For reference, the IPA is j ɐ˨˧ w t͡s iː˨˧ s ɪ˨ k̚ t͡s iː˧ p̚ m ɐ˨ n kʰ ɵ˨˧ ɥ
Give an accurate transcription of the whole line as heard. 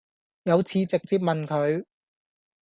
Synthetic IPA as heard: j ɐ˨˧ w t͡sʰ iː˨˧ t͡s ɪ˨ k̚ t͡s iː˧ p̚ m ɐ˨ n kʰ ɵ˨˧ ɥ